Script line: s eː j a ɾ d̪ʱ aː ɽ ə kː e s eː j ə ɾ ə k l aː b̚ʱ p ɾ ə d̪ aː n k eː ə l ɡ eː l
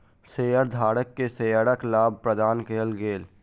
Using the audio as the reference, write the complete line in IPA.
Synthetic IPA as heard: s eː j ə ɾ d̪ʱ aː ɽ ə kː e s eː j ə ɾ ə k l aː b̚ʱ p ɾ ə d̪ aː n k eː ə l ɡ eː l